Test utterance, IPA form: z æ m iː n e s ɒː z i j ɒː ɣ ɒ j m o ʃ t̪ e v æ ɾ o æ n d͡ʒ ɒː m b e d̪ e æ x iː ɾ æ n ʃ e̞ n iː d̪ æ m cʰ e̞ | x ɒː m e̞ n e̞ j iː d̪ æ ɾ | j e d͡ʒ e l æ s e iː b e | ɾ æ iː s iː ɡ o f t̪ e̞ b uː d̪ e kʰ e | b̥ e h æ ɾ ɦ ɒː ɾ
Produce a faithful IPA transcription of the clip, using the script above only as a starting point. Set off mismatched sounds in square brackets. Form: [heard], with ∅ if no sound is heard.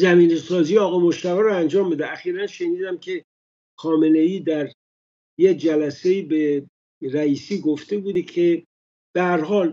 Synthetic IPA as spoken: z æ m iː n e s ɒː z i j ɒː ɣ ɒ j m o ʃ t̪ [æ] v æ ɾ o æ n d͡ʒ ɒː m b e d̪ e æ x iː ɾ æ n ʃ e̞ n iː d̪ æ m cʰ e̞ | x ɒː m e̞ n e̞ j iː d̪ æ ɾ | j e d͡ʒ [æ] l æ s e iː b e | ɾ æ iː s iː ɡ o f t̪ e̞ b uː d̪ e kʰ e | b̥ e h æ ɾ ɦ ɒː [l]